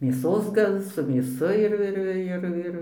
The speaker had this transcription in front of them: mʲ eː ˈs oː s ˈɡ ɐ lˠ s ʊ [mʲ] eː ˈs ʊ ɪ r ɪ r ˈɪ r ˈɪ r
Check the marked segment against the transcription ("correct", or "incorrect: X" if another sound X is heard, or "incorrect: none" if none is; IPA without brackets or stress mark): correct